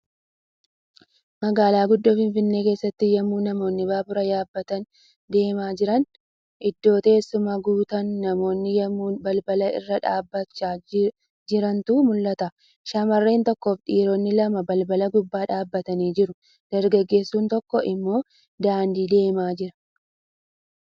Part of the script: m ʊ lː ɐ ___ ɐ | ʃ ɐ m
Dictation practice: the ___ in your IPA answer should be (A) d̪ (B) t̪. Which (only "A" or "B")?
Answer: B